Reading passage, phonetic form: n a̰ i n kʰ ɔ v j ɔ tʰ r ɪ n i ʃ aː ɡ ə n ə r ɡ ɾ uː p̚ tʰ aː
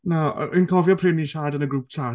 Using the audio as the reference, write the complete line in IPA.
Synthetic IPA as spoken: n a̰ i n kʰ ɔ v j ɔ pʰ r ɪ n i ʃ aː d ə n ə ɡ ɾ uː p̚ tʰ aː